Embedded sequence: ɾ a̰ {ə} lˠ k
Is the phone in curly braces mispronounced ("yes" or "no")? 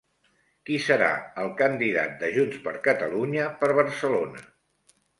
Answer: no